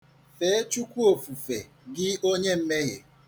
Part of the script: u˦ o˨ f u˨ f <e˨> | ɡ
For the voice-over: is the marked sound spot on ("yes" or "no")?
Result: yes